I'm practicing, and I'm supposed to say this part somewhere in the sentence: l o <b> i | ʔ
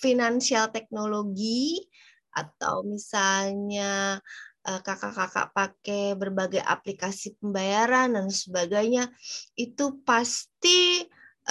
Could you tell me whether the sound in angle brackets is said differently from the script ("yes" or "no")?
yes